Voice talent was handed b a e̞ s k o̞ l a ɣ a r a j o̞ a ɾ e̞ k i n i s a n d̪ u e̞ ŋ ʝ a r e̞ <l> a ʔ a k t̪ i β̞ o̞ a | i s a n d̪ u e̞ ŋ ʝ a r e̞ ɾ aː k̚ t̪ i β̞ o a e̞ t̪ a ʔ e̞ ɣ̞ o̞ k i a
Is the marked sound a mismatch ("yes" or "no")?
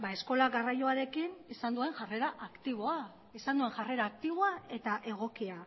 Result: yes